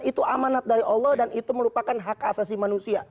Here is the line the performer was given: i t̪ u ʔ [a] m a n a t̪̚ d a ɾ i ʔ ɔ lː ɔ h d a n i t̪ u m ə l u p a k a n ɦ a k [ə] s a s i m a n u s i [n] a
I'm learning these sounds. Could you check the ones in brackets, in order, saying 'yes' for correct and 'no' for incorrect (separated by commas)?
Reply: yes, no, no